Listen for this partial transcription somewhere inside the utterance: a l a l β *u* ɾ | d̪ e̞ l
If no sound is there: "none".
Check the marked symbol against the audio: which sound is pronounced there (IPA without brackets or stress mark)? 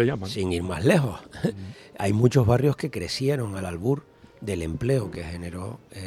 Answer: u